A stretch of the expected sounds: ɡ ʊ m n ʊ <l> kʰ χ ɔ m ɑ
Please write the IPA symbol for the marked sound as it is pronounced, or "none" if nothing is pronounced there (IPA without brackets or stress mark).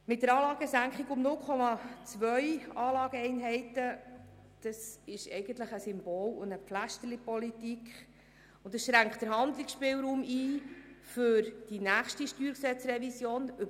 l